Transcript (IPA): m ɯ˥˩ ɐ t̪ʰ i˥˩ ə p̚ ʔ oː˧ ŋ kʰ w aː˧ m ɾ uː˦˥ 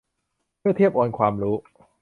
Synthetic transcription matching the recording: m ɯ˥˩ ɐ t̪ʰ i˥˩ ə p̚ ʔ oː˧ n kʰ w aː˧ m ɾ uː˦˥